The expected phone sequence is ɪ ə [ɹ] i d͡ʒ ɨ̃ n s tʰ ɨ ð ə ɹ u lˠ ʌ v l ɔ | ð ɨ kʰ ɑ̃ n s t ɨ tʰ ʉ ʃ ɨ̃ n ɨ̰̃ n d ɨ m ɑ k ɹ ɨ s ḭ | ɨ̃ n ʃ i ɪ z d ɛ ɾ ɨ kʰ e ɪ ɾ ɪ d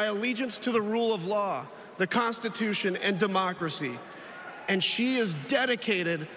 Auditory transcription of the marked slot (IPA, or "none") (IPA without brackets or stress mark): l